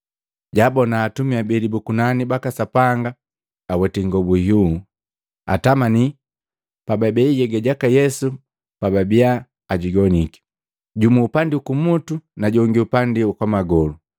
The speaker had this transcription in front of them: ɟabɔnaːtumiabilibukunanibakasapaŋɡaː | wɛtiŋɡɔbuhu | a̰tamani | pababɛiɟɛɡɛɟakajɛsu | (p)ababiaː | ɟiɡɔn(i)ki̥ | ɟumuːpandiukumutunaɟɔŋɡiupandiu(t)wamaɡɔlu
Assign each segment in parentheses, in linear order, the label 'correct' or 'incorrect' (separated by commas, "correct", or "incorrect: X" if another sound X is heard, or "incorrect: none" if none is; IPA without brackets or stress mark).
correct, correct, incorrect: k